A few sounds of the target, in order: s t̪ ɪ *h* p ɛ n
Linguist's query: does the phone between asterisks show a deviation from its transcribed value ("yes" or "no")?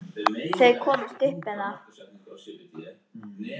no